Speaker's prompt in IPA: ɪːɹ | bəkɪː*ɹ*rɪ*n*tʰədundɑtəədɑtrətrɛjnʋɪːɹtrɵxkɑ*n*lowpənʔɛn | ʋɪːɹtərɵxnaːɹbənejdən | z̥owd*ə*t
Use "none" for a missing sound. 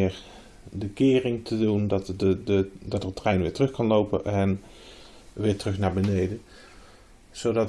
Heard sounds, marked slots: none, ŋ, n, ɑ

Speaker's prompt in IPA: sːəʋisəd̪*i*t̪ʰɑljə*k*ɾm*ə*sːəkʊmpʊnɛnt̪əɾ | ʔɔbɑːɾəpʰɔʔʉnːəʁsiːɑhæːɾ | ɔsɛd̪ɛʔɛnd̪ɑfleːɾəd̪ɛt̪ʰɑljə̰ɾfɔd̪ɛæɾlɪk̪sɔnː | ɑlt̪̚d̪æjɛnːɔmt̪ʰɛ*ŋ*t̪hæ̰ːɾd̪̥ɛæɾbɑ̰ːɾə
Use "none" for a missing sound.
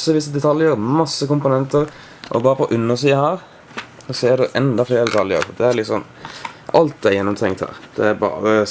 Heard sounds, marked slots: ɛ, none, ɑ, ŋ

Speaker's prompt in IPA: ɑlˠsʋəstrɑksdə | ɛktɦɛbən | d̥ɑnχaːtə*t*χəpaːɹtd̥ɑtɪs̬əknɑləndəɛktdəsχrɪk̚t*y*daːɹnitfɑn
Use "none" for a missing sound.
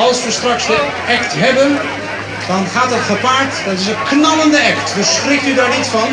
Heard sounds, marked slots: t, y

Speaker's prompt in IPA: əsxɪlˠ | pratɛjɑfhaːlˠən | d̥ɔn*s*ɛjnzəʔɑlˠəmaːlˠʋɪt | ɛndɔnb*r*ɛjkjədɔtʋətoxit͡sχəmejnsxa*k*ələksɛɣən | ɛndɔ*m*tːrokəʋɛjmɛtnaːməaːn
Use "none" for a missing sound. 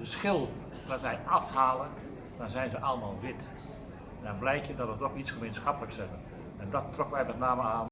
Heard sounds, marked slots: z, l, p, none

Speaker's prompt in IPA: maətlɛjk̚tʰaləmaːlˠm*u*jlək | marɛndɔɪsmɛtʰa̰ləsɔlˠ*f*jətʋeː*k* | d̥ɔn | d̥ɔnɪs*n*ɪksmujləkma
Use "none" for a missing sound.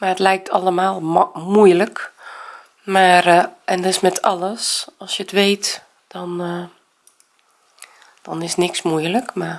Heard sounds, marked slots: u, s, t, n

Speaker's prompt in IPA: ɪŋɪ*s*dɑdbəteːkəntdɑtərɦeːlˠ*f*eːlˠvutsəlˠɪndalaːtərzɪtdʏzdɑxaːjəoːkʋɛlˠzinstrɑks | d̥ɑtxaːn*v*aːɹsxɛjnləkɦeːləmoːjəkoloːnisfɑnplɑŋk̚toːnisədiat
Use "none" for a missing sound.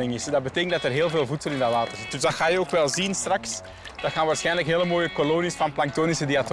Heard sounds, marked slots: s, v, ʋ

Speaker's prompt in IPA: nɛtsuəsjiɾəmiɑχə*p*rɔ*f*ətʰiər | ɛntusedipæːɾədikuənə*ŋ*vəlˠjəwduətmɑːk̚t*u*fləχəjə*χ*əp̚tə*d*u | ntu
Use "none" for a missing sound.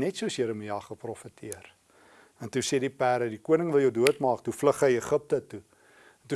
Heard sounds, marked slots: p, f, ŋ, u, χ, t

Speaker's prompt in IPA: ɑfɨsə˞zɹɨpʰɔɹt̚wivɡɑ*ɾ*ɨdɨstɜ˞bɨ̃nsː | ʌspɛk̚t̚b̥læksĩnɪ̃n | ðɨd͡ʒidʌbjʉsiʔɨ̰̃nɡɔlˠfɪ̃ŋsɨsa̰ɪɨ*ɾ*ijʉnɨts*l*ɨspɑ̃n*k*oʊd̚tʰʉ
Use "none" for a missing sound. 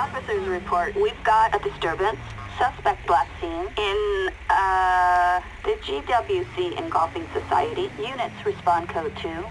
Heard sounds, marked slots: ɾ, ɾ, ɹ, kʰ

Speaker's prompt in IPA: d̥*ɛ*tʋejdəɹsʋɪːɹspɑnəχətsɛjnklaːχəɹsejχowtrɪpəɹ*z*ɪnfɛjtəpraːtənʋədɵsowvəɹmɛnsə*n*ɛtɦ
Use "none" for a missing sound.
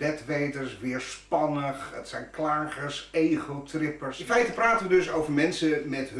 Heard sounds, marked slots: ɛ, s, m

